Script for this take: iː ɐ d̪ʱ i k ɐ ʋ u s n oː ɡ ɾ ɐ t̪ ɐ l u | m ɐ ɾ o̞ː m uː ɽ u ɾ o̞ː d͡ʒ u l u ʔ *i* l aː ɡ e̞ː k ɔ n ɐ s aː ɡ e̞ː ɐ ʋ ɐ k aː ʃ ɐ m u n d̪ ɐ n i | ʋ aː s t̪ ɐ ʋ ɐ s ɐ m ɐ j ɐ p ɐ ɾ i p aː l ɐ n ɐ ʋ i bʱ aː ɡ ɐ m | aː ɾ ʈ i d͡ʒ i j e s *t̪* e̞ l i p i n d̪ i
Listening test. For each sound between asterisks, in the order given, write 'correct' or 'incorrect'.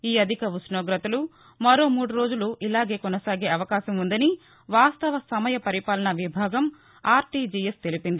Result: correct, correct

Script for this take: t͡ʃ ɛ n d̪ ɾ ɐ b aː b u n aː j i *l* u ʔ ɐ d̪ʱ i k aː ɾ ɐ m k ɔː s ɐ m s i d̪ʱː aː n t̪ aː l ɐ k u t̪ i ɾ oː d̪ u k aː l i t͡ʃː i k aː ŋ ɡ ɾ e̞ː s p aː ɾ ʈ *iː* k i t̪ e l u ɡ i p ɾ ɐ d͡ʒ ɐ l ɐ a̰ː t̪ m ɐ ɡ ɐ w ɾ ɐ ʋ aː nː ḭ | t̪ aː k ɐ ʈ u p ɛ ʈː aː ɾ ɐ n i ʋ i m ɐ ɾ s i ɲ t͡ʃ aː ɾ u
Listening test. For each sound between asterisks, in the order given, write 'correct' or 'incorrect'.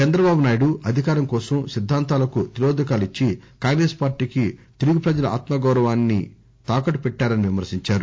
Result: incorrect, correct

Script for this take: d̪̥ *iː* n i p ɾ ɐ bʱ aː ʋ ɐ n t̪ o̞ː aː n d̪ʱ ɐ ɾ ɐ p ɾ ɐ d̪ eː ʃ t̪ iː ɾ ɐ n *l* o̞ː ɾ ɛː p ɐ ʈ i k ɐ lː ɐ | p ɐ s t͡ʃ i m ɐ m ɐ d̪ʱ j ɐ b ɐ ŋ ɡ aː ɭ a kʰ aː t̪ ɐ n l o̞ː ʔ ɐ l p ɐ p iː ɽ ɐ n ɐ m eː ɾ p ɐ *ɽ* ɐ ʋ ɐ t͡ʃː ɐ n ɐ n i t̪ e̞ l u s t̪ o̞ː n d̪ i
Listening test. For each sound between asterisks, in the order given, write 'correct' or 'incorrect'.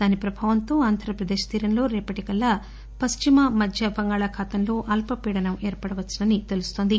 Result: incorrect, correct, correct

